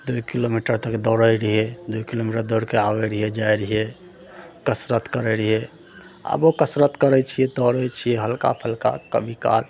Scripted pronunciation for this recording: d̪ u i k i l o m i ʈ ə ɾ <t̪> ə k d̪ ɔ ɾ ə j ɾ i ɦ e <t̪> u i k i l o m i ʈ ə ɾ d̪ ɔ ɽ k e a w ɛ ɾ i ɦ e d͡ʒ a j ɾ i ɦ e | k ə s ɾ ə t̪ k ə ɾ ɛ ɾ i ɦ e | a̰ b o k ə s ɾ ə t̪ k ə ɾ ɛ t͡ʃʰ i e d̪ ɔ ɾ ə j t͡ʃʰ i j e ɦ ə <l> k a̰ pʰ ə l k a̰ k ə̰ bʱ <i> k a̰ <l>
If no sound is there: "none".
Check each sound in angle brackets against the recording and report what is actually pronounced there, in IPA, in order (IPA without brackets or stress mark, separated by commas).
t̪, d̪, l, i, l